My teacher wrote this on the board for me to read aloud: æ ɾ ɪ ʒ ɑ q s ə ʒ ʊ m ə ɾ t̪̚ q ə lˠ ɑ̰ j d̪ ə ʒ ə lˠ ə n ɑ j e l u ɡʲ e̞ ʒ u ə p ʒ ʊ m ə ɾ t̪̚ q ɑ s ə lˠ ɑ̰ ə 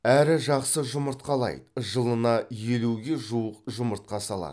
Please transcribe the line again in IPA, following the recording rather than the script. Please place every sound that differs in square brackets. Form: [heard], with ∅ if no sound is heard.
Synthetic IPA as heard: æ ɾ ɪ ʒ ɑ q s ə ʒ ʊ m ə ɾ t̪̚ q [ɑ] lˠ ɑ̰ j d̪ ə ʒ ə lˠ ə n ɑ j e l u ɡʲ e̞ ʒ u ə [q] ʒ ʊ m ə ɾ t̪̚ q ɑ s [ɑ] lˠ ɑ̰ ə